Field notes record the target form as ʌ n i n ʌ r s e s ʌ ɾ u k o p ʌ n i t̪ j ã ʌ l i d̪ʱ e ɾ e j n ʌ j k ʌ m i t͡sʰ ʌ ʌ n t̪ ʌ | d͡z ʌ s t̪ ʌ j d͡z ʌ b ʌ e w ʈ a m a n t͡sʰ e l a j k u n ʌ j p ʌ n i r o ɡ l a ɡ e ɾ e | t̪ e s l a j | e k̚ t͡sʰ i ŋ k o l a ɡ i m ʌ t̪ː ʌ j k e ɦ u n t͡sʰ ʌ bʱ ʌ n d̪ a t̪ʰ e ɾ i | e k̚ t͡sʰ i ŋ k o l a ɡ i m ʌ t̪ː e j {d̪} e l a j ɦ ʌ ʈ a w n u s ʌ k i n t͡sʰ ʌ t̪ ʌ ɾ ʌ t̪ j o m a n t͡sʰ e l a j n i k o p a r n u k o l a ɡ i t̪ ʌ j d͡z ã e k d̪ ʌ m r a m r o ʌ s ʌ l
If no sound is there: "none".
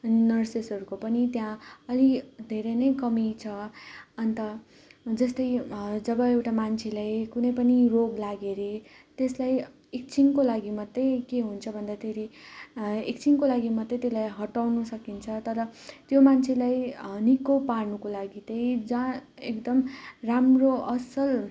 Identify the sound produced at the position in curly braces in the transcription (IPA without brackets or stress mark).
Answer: t̪